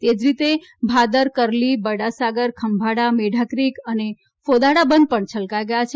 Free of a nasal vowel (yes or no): yes